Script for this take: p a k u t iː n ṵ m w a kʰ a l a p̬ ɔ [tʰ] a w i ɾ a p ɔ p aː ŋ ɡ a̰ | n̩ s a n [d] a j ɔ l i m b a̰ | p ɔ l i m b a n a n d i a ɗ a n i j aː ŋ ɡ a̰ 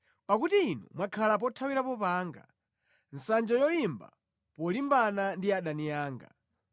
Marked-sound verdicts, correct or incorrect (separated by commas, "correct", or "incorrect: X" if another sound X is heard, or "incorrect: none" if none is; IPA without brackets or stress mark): correct, incorrect: d͡ʒ